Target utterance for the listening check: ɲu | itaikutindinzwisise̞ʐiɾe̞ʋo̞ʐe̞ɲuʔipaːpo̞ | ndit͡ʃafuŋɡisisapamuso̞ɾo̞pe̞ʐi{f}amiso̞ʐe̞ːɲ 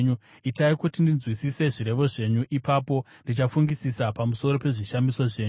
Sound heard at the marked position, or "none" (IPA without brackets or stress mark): ʃ